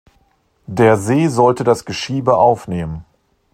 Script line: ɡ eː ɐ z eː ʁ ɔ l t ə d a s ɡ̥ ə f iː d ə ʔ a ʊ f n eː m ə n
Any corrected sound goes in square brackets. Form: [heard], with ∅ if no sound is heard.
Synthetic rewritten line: [d] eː ɐ z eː [z] ɔ l t ə d a s ɡ̥ ə [ʃ] iː [b] ə ʔ a ʊ f n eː m ə n